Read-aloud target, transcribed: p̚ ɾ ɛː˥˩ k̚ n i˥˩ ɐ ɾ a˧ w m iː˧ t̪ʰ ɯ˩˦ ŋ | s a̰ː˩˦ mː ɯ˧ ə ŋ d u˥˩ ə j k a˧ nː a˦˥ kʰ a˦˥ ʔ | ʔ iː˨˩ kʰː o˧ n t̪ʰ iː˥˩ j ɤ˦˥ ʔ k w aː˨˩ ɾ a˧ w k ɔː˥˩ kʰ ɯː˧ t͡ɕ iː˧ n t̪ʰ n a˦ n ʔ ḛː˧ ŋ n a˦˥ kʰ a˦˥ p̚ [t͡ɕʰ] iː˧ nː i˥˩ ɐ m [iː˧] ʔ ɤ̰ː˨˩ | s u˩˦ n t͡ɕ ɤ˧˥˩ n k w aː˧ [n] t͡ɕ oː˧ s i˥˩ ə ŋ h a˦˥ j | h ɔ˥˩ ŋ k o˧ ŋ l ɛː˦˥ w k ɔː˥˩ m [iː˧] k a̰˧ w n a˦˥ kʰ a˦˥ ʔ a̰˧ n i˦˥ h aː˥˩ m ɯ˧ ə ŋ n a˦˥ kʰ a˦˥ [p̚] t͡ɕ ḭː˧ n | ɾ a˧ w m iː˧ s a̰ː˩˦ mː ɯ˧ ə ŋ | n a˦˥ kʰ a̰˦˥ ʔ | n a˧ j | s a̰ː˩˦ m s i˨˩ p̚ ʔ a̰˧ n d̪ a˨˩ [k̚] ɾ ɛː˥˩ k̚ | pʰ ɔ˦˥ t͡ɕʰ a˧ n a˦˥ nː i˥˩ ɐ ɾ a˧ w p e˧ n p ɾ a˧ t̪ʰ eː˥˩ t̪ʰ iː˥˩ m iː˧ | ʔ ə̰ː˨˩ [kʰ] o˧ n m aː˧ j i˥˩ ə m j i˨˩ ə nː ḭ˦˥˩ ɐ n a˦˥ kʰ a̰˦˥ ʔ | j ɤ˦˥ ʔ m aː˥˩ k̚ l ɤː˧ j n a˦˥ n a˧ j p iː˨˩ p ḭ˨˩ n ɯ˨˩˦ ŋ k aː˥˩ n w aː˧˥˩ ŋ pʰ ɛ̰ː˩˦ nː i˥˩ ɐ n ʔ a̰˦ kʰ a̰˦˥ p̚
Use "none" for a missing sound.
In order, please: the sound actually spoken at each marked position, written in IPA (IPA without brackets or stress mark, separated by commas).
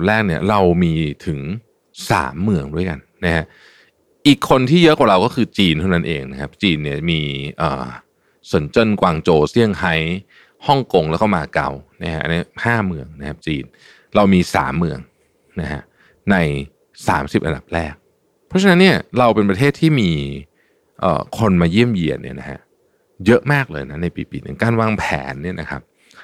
t͡ɕ, iː˧, ŋ, aː˧, p̚, p̚, kʰ